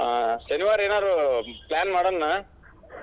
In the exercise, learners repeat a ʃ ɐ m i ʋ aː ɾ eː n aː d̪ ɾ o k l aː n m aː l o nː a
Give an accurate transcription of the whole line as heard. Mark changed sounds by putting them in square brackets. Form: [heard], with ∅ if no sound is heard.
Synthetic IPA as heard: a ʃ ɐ [n] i ʋ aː ɾ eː n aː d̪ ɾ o [p] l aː n m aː [ɽ] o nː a

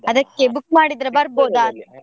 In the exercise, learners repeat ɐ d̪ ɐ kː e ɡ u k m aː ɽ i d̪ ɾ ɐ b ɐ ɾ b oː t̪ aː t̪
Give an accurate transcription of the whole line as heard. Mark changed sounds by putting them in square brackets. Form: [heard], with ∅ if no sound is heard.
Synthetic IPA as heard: ɐ d̪ ɐ kː e [b] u k m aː ɽ i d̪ ɾ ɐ b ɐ ɾ b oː [d̪] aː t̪

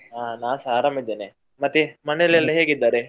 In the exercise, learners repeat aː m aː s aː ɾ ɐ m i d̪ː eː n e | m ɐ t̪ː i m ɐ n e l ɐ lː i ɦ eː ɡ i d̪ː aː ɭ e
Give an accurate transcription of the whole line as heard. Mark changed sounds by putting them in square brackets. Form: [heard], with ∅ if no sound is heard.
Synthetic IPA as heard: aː [n] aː s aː ɾ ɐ m i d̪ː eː n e | m ɐ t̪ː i m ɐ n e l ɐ lː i ɦ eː ɡ i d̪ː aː [ɾ] e

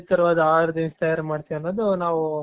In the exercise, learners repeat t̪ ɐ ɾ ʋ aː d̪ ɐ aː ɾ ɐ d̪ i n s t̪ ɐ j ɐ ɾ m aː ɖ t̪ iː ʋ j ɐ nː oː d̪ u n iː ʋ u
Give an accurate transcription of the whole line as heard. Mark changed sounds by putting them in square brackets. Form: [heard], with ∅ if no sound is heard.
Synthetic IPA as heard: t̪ ɐ ɾ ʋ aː d̪ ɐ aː ɾ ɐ d̪ i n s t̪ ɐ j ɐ ɾ m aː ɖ t̪ [i] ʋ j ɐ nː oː d̪ u n [aː] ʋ u

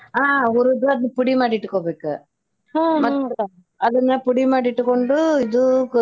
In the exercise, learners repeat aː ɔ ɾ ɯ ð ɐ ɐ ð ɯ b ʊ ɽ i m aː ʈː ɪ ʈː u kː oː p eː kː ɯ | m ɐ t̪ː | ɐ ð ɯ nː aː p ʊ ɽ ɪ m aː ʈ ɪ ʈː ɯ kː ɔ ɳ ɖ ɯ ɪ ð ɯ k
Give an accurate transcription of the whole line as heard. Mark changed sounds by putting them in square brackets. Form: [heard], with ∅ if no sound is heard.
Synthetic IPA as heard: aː ɔ ɾ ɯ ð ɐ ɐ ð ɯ [p] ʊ ɽ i m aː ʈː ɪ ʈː [ɯ] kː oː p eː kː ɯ | m ɐ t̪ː | ɐ ð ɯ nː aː p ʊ ɽ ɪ m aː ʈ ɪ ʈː ɯ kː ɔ ɳ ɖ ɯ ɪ ð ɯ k

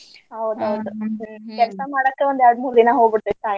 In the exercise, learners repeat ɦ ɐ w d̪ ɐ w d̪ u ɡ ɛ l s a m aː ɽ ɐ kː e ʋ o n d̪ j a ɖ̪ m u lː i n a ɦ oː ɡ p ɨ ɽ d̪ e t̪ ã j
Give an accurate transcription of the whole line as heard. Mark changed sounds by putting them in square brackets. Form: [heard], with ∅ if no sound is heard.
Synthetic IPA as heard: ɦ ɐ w d̪ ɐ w d̪ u [k] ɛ l s a m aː ɽ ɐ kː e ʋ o n d̪ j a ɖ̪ m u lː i n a ɦ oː ɡ [b] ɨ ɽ [t̪] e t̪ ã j

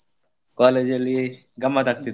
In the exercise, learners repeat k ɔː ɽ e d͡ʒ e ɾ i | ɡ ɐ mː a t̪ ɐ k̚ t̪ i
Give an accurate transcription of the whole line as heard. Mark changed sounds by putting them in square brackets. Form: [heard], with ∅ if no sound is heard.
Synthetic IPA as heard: k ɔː [l] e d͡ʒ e [l] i | ɡ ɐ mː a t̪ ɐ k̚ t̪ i

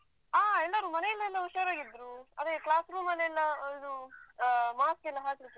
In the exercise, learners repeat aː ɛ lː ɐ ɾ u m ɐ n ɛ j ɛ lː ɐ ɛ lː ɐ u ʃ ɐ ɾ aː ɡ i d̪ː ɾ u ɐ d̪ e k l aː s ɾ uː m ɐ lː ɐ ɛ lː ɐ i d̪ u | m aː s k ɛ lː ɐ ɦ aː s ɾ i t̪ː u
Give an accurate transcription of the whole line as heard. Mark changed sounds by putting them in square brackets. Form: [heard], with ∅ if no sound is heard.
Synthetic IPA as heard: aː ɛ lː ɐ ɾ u m ɐ n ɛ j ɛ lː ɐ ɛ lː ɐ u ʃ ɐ ɾ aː ɡ i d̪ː ɾ u ɐ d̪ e k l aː s ɾ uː m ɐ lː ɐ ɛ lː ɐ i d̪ u | m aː s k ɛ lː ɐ ɦ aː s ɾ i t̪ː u

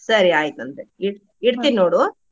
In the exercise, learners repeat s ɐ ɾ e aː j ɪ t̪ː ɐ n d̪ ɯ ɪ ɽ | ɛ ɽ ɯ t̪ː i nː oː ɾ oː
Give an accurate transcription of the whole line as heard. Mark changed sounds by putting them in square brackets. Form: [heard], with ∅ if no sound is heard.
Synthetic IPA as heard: s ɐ ɾ [i] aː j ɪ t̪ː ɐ n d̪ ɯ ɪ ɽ | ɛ ɽ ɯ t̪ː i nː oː [ɽ] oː

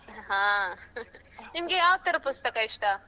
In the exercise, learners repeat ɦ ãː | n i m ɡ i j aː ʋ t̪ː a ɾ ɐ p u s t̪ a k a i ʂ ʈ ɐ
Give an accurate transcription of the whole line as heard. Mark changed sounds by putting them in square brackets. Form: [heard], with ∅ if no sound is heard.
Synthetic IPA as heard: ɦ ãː | n i m ɡ [e] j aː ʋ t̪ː [ɐ] ɾ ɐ p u s t̪ [ɐ] k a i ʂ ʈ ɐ

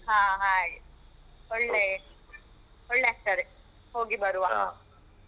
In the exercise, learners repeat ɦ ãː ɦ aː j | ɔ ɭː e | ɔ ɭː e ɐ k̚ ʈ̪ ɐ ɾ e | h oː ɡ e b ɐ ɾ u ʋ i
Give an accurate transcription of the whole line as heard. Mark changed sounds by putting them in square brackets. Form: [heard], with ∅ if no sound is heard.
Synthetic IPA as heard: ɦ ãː ɦ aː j | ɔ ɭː e | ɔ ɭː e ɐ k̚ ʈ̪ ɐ ɾ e | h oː ɡ [i] b ɐ ɾ u ʋ [a]

